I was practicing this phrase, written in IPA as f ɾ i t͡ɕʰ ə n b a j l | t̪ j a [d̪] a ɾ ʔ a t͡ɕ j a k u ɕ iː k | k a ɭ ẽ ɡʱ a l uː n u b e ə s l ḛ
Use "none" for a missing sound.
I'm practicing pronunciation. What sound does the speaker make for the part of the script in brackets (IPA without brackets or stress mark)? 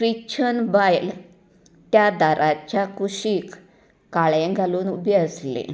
d̪